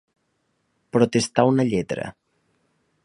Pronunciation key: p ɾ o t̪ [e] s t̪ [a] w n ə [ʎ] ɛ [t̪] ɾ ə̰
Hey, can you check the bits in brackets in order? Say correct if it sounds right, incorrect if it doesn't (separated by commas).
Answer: correct, correct, correct, correct